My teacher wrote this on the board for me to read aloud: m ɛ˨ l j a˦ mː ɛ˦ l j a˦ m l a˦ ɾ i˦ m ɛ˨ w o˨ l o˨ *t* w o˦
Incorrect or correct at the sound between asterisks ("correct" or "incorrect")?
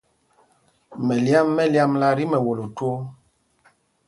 correct